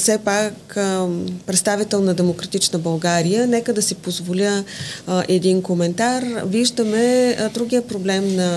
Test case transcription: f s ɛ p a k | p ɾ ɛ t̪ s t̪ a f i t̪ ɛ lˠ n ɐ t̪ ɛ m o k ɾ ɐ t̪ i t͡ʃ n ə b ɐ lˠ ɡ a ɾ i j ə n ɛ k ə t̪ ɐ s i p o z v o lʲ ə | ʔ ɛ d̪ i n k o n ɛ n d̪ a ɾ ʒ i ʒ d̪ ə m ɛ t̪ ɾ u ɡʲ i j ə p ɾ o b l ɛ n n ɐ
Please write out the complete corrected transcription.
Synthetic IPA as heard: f s ɛ p a k | p ɾ ɛ t̪ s t̪ a v i t̪ ɛ lˠ n ɐ d̪ ɛ m o k ɾ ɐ t̪ i t͡ʃ n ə b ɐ lˠ ɡ a ɾ i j ə n ɛ k ə d̪ ɐ s i p o z v o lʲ ə | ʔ ɛ d̪ i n k o m ɛ n t̪ a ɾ v i ʒ d̪ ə m ɛ d̪ ɾ u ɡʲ i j ə p ɾ o b l ɛ m n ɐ